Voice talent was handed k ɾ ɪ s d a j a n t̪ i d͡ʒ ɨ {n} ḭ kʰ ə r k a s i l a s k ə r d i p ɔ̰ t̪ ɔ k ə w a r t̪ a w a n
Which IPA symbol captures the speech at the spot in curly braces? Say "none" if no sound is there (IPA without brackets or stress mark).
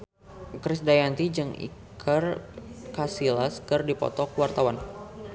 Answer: ŋ